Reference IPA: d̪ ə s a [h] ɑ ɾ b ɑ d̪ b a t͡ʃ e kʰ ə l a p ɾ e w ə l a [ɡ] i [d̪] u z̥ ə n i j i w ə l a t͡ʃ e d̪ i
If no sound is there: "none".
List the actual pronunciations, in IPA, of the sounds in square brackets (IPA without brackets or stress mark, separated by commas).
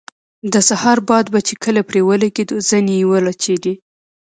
h, ɡ, d̪